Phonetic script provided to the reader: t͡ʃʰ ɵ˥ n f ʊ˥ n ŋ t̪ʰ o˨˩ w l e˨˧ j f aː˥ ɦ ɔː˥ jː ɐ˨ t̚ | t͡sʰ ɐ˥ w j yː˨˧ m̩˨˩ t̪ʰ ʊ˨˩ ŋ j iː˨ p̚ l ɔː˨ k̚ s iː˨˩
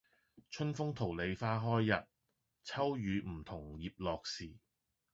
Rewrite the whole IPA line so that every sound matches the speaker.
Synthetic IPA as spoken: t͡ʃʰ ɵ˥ n f ʊ˥ ŋ t̪ʰ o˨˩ w l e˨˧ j f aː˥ ɦ ɔː˥ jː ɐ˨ t̚ | t͡sʰ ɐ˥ w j yː˨˧ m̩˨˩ t̪ʰ ʊ˨˩ ŋ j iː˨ p̚ l ɔː˨ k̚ s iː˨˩

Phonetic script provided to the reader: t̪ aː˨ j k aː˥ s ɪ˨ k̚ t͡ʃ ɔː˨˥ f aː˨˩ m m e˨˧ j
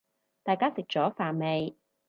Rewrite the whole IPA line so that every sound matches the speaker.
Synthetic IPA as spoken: t̪ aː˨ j k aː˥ s ɪ˨ k̚ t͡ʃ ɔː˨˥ f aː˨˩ n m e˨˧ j

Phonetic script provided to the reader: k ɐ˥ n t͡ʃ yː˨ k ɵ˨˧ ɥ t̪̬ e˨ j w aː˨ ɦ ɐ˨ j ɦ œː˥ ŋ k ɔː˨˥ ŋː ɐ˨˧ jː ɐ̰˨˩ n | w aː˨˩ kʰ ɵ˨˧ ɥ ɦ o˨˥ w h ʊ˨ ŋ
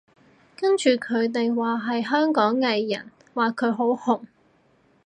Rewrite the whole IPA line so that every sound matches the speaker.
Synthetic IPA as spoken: k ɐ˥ n t͡ʃ yː˨ kʰ ɵ˨˧ ɥ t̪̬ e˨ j w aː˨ ɦ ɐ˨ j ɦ œː˥ ŋ k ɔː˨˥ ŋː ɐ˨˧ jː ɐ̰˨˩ n | w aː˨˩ kʰ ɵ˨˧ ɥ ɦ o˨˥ w h ʊ˨ ŋ

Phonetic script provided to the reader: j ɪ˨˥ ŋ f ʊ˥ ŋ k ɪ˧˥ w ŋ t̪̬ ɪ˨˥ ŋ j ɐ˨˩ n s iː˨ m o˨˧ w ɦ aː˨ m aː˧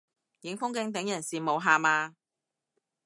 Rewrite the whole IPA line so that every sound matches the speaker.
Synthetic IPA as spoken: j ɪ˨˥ ŋ f ʊ˥ ŋ k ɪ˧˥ ŋ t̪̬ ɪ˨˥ ŋ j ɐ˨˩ n s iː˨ m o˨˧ w ɦ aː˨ m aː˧

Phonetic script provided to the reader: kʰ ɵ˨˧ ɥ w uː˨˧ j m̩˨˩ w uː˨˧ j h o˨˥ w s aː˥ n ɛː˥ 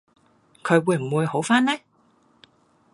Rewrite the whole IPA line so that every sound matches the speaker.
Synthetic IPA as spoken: kʰ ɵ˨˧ ɥ w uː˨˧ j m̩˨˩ w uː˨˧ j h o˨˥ w f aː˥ n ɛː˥

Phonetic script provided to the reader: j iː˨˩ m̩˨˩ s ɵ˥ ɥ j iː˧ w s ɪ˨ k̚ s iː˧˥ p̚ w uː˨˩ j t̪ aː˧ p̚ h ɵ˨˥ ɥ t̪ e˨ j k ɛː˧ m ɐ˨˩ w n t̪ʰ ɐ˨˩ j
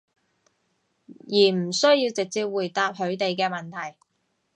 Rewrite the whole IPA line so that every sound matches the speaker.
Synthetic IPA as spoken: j iː˨˩ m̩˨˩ s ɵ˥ ɥ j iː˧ w t͡s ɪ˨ k̚ t͡s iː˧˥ p̚ w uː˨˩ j t̪ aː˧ p̚ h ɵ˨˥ ɥ t̪ e˨ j k ɛː˧ m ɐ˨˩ n t̪ʰ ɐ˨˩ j

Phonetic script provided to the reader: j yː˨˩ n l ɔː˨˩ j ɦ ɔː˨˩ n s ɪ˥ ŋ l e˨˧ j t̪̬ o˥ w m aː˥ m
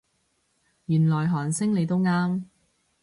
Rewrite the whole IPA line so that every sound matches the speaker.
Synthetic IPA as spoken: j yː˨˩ n l ɔː˨˩ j ɦ ɔː˨˩ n s ɪ˥ ŋ l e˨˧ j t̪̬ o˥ w ŋ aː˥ m

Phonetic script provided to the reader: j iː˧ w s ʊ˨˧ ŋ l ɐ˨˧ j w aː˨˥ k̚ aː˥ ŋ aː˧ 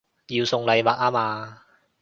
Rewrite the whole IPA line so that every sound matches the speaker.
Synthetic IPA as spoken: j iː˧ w s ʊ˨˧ ŋ l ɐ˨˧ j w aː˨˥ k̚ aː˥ m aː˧

